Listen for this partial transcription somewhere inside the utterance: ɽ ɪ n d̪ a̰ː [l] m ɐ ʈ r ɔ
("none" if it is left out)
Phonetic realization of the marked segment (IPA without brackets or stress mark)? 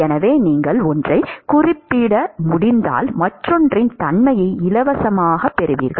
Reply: l